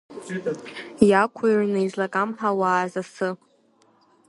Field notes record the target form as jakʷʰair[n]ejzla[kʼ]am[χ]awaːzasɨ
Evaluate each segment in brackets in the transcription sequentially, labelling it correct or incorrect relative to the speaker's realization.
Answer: correct, correct, incorrect: ħ

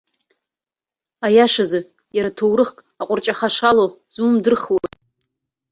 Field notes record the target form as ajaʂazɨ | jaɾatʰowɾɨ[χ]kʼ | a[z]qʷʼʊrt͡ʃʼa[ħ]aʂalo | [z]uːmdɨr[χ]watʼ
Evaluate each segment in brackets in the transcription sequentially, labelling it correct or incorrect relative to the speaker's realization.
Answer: correct, incorrect: none, incorrect: χ, correct, correct

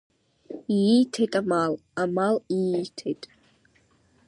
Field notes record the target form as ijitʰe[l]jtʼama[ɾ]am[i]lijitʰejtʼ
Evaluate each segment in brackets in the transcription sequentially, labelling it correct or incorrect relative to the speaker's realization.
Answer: incorrect: none, incorrect: l, incorrect: a

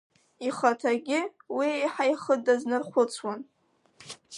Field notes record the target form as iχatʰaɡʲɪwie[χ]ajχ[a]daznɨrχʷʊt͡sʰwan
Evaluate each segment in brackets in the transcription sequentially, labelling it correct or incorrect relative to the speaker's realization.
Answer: incorrect: ħ, incorrect: ə

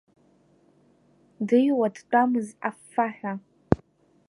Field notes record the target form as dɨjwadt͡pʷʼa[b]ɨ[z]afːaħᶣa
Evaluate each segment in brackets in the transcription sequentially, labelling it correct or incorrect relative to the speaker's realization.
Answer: incorrect: m, correct

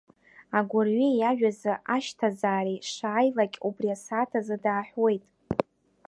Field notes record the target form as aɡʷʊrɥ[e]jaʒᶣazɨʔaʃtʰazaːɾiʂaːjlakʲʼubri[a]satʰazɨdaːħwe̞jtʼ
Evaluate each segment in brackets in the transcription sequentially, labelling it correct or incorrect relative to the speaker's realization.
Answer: incorrect: i, correct

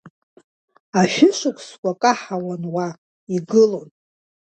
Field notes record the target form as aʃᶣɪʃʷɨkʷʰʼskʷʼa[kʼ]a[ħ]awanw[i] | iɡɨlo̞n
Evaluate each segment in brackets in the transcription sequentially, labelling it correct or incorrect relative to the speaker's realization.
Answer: correct, correct, incorrect: a

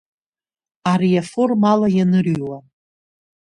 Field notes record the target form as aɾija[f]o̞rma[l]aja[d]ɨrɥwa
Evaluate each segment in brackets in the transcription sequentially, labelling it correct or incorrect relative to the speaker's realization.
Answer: correct, correct, incorrect: n

